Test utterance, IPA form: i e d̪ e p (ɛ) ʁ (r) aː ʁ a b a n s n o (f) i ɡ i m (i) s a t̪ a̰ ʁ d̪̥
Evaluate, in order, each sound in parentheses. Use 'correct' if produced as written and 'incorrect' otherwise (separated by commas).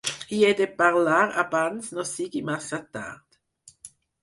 incorrect, incorrect, incorrect, incorrect